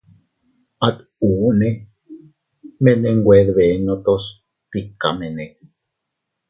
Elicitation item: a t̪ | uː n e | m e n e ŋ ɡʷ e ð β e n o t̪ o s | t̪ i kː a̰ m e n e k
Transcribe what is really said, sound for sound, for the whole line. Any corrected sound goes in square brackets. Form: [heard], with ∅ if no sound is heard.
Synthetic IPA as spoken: a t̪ | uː n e | m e n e ŋ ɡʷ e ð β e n o t̪ o s | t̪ i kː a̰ m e n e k